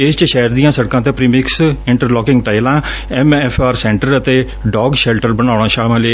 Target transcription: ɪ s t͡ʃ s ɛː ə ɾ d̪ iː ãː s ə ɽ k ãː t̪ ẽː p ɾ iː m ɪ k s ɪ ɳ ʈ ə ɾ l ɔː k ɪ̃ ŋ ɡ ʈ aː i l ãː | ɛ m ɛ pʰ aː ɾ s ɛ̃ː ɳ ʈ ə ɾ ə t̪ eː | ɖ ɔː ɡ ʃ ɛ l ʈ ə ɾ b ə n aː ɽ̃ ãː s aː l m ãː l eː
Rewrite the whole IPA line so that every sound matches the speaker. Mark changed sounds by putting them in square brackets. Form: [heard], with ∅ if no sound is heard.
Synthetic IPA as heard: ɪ s t͡ʃ [ʃ] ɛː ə ɾ d̪ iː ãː s ə ɽ k ãː t̪ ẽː p ɾ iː m ɪ k s ɪ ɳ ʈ ə ɾ l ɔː k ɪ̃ ŋ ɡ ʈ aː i l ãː | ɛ m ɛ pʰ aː ɾ s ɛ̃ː ɳ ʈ ə ɾ ə t̪ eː | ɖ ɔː ɡ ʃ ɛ l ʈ ə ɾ b ə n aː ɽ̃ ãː [ʃ] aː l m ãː l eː